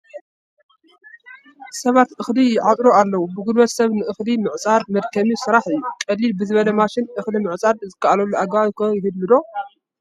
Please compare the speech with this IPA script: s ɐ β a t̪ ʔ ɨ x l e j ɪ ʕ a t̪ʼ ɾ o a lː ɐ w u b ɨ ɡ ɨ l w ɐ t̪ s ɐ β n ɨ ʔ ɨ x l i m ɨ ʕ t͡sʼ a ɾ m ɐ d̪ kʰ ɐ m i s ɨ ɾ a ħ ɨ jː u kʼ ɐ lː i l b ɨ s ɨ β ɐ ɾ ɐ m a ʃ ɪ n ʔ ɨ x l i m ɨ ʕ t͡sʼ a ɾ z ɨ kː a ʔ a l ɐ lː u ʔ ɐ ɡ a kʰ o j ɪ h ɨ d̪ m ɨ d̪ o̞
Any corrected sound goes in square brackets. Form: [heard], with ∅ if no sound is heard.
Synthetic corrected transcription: s ɐ β a t̪ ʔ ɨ x l [i] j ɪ ʕ a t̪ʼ ɾ o a lː ɐ w u b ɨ ɡ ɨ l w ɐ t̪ s ɐ β n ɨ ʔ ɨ x l i m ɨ ʕ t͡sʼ a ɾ m ɐ d̪ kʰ ɐ m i s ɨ ɾ a ħ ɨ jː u kʼ ɐ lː i l b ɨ [z] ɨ β ɐ [l] ɐ m a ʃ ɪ n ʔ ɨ x l i m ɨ ʕ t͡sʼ a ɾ z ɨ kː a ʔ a l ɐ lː u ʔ [a] ɡ a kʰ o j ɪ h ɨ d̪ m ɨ d̪ o̞